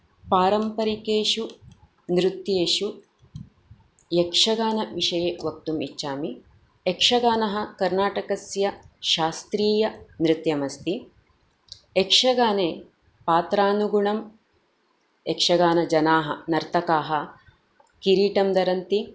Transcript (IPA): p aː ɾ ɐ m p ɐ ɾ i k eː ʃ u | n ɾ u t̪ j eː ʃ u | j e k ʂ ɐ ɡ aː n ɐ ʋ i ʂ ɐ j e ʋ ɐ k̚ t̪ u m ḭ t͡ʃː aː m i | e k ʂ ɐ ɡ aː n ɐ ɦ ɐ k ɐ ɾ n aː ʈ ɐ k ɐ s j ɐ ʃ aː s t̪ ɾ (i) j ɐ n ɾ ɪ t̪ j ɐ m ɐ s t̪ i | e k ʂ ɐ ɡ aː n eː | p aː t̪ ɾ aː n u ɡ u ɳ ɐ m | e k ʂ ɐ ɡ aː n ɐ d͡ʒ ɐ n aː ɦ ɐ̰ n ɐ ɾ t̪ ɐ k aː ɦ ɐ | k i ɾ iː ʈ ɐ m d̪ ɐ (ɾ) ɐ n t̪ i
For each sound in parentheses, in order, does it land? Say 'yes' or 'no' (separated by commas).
no, yes